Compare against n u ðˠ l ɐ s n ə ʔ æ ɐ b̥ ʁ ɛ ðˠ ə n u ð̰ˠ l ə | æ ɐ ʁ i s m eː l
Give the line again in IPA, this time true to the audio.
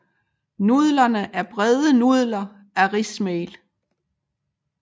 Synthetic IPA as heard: n u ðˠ l ɐ n ə ʔ æ ɐ b̥ ʁ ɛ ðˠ ə n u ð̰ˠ l ɐ | æ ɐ ʁ i s m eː l